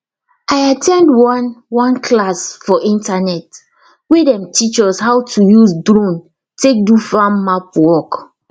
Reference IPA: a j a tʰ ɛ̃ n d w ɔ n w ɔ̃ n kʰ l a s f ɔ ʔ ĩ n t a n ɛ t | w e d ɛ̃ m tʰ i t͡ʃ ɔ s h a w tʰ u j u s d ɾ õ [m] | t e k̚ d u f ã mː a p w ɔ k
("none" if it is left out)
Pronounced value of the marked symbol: n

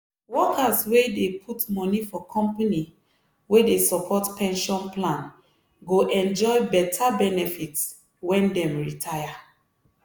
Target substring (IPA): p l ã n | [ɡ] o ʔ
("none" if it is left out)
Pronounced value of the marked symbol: ɡ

